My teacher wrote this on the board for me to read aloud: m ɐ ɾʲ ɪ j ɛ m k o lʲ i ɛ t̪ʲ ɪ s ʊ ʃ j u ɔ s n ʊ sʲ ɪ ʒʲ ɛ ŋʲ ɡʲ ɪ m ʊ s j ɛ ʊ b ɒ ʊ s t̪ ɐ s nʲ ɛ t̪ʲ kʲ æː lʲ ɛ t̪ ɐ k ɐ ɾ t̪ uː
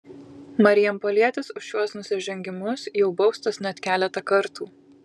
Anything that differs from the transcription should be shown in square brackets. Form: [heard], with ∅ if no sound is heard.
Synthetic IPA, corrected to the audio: m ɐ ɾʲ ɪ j ɛ m [p] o lʲ i ɛ t̪ʲ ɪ s ʊ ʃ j u ɔ s n ʊ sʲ ɪ ʒʲ ɛ ŋʲ ɡʲ ɪ m ʊ s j ɛ ʊ b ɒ ʊ s t̪ ɐ s nʲ ɛ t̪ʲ kʲ æː lʲ ɛ t̪ ɐ k ɐ ɾ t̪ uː